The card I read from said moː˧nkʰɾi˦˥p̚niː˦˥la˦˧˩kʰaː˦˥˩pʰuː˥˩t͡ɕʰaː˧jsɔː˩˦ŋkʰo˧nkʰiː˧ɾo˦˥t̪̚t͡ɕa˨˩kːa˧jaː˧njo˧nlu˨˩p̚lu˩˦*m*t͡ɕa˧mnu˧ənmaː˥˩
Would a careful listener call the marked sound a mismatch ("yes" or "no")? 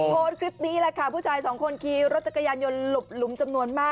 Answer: no